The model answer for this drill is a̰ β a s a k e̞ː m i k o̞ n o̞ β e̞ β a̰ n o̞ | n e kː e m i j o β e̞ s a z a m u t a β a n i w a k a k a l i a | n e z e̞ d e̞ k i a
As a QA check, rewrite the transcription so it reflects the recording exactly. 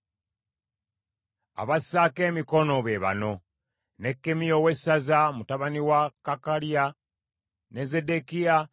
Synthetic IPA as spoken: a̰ β a s a k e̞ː m i k o̞ n o̞ β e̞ β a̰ n o̞ | n e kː e m i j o w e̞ s a z a m u t a β a n i w a k a k a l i a | n e z e̞ d e̞ k i a